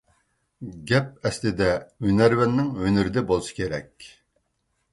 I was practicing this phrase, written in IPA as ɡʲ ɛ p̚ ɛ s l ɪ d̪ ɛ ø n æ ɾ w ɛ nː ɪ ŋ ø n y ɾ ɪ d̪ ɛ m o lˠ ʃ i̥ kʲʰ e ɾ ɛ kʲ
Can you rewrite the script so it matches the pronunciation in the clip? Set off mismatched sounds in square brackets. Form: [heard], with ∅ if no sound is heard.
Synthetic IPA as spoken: ɡʲ ɛ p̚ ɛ s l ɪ d̪ ɛ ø n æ ɾ w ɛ nː ɪ ŋ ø n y ɾ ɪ d̪ ɛ [b] o lˠ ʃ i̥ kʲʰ e ɾ ɛ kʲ